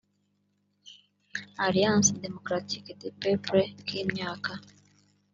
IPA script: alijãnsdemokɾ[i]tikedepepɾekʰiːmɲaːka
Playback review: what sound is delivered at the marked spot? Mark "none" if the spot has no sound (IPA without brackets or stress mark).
a